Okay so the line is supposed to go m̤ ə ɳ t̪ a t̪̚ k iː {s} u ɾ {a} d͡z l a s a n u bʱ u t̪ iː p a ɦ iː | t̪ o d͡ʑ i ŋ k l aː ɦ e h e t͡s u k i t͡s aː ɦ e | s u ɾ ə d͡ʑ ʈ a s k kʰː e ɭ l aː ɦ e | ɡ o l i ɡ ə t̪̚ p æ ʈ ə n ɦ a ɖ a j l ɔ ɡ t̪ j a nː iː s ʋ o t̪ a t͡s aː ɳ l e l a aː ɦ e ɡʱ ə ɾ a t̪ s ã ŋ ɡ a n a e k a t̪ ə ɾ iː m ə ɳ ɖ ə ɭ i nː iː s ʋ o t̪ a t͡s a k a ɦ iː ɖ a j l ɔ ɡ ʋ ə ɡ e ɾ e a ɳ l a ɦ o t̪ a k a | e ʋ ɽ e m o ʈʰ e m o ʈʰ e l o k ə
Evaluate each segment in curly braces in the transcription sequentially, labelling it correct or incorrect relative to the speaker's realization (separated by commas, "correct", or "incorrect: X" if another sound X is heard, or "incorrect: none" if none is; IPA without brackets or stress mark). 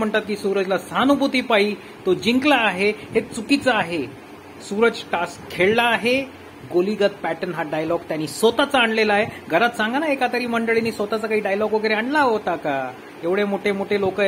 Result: correct, incorrect: ə